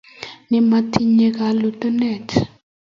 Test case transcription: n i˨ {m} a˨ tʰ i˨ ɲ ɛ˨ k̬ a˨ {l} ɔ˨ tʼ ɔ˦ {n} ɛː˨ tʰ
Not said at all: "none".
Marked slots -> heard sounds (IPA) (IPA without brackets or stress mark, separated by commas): m, l, n